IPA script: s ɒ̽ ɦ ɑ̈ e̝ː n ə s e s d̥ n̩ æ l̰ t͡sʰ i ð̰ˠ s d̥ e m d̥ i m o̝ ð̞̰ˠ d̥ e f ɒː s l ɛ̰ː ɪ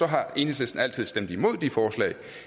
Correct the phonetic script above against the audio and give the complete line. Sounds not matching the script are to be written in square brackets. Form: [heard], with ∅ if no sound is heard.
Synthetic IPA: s ɒ̽ ɦ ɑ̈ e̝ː n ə s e s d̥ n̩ æ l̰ t͡sʰ i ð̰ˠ s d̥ e m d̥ i m o̝ ð̞̰ˠ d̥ [i] f ɒː s l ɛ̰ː ɪ